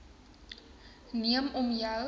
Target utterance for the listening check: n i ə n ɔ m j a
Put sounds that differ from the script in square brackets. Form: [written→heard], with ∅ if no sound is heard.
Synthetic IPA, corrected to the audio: n i ə [n→m] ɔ m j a